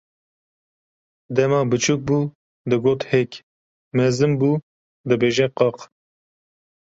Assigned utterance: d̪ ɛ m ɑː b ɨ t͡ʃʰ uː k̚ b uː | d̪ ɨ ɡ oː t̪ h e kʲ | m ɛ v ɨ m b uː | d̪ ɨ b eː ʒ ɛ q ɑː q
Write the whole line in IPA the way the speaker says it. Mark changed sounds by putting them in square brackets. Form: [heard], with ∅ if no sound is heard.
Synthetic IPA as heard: d̪ ɛ m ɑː b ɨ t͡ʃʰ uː k̚ b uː | d̪ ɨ ɡ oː t̪ h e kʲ | m ɛ [z] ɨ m b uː | d̪ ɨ b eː ʒ ɛ q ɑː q